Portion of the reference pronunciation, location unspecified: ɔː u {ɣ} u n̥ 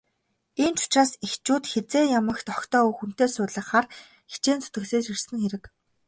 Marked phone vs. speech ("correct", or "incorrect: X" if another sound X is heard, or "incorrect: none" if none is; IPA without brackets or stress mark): incorrect: x